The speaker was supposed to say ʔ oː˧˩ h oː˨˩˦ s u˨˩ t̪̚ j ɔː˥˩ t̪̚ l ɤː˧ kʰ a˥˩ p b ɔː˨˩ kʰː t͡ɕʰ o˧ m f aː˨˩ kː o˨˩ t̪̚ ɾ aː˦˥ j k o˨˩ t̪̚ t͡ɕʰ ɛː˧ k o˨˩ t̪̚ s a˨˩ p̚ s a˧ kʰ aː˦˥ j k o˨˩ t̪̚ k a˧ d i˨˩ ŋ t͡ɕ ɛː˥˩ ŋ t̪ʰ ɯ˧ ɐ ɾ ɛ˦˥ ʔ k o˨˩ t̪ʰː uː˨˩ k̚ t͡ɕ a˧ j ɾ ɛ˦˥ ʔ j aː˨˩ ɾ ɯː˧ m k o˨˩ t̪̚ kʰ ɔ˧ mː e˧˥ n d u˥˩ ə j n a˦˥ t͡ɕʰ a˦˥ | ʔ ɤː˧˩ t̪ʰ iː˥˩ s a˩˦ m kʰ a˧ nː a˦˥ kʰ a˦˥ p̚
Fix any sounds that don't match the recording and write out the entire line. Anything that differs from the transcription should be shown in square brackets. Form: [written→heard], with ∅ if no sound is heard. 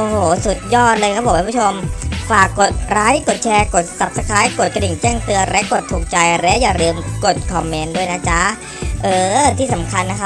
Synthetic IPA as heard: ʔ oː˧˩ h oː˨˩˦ s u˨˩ t̪̚ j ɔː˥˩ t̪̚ l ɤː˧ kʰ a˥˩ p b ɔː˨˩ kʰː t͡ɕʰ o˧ m f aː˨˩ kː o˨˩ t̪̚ ɾ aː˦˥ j k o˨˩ t̪̚ t͡ɕʰ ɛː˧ k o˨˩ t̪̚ s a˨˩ p̚ s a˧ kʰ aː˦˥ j k o˨˩ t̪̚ k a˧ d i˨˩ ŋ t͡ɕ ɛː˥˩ ŋ [t̪ʰ→t̪] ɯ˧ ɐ ɾ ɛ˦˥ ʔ k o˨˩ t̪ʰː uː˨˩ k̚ t͡ɕ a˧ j ɾ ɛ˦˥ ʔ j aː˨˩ ɾ ɯː˧ m k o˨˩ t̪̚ kʰ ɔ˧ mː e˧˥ n d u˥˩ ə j n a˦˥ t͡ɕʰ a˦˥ | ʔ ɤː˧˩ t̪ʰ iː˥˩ s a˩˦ m kʰ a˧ nː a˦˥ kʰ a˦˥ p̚